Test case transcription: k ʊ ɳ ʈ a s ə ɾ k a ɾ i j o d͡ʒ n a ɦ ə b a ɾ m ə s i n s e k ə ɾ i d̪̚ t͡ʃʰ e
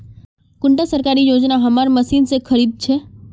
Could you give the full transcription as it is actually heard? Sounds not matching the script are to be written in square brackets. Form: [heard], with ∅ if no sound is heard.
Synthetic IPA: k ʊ ɳ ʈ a s ə ɾ k a ɾ i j o d͡ʒ n a ɦ ə [m] a ɾ m ə s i n s e [kʰ] ə ɾ i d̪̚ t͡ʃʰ e